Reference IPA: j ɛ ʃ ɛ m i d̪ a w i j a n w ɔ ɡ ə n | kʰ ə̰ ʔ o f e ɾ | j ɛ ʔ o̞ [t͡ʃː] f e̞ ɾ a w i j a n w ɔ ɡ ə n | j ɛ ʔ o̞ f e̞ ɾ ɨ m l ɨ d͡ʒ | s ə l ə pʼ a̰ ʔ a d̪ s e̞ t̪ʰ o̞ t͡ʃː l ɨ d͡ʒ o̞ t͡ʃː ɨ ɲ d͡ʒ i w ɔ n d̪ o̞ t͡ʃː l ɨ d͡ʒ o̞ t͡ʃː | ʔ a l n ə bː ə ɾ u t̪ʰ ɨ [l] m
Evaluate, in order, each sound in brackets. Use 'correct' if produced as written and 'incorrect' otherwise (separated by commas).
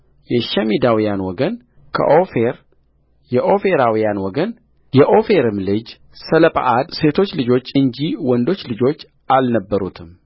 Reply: incorrect, incorrect